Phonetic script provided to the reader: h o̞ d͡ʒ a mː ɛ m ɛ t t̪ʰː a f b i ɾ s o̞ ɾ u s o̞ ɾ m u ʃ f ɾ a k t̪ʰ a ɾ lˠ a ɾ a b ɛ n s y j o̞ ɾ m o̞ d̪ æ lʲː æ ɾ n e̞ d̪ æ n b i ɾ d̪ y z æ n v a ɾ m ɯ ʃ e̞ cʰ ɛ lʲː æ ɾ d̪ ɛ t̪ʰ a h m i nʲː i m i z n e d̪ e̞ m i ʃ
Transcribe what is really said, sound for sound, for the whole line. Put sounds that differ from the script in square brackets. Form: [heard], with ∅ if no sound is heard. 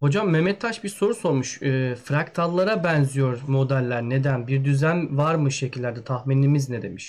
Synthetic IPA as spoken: h o̞ d͡ʒ a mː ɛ m ɛ t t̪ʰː a [ʃ] b i ɾ s o̞ ɾ u s o̞ ɾ m u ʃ f ɾ a k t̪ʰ a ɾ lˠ a ɾ a b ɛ n [z] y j o̞ ɾ m o̞ d̪ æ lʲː æ ɾ n e̞ d̪ æ n b i ɾ d̪ y z æ n v a ɾ m ɯ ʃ e̞ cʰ [i] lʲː æ ɾ d̪ ɛ t̪ʰ a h m i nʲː i m i z n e d̪ e̞ m i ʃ